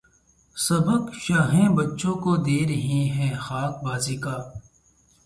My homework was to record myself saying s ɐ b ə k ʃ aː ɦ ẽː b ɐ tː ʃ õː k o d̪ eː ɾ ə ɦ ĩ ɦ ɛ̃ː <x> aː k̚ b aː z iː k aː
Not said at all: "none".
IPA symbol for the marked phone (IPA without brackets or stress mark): x